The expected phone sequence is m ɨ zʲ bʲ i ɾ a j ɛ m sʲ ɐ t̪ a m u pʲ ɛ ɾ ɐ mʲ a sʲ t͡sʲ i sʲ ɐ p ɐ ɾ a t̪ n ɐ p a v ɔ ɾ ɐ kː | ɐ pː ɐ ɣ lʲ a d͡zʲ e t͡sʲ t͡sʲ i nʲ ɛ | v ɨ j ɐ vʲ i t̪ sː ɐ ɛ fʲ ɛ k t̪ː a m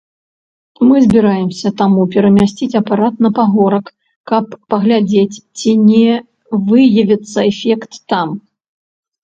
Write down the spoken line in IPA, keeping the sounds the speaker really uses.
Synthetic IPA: m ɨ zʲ bʲ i ɾ a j ɛ m sʲ ɐ t̪ a m u pʲ ɛ ɾ ɐ mʲ a sʲ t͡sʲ i t͡sʲ ɐ p a ɾ a t̪ n ɐ p a ɣ ɔ ɾ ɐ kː | ɐ pː ɐ ɣ lʲ a d͡zʲ e t͡sʲ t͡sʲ i nʲ ɛ | v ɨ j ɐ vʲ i t̪ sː ɐ ɛ fʲ ɛ k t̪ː a m

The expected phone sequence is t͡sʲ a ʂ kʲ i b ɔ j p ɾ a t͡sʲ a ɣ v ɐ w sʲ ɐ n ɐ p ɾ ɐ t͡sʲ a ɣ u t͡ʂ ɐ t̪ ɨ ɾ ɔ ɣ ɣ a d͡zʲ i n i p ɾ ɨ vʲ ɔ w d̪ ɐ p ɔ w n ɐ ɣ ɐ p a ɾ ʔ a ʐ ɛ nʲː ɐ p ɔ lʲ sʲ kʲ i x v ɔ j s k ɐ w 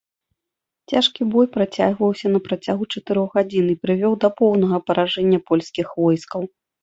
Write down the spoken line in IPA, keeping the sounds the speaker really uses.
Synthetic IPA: t͡sʲ a ʂ kʲ i b ɔ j p ɾ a t͡sʲ a ɣ v ɐ w sʲ ɐ n ɐ p ɾ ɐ t͡sʲ a ɣ u t͡ʂ ɐ t̪ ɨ ɾ ɔ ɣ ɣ a d͡zʲ i n i p ɾ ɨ vʲ ɔ w d̪ ɐ p ɔ w n ɐ ɣ ɐ p ɐ ɾ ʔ a ʐ ɛ nʲː ɐ p ɔ lʲ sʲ kʲ i x v ɔ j s k ɐ w

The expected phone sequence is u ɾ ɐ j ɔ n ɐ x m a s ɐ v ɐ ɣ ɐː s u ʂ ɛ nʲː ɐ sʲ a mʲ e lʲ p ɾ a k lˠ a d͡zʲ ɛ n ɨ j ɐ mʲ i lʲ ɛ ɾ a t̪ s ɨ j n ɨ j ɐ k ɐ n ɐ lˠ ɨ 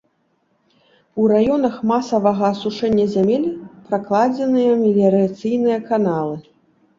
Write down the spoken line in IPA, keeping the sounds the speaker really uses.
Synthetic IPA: u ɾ a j ɔ n ɐ x m a s ɐ v ɐ ɣ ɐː s u ʂ ɛ nʲː ɐ zʲ a mʲ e lʲ p ɾ a k lˠ a d͡zʲ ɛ n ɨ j ɐ mʲ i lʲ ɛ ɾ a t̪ s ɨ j n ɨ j ɐ k a n a lˠ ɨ

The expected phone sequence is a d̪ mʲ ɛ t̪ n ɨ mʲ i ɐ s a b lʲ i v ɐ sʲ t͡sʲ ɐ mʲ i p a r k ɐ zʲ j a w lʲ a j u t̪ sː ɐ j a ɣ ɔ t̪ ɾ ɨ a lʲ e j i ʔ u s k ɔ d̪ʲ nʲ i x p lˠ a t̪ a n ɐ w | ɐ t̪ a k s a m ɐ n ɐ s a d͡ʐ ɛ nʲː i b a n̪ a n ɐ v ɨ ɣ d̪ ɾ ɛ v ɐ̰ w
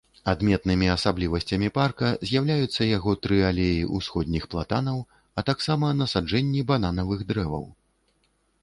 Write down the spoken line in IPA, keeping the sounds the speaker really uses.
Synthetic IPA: a d̪ mʲ ɛ t̪ n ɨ mʲ i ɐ s a b lʲ i v ɐ sʲ t͡sʲ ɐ mʲ i p a r k ɐ zʲ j a w lʲ a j u t̪ sː ɐ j a ɣ ɔ t̪ ɾ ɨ a lʲ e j i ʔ u s x ɔ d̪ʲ nʲ i x p lˠ a t̪ a n ɐ w | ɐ t̪ a k s a m ɐ n ɐ s a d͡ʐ ɛ nʲː i b a n̪ a n ɐ v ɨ ɣ d̪ ɾ ɛ v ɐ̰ w

